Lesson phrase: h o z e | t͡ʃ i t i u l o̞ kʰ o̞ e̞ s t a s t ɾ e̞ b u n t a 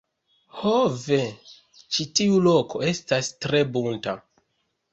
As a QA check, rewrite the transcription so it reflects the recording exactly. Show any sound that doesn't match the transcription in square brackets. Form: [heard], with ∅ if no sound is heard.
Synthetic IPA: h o [v] e | t͡ʃ i t i u l o̞ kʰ o̞ e̞ s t a s t ɾ e̞ b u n t a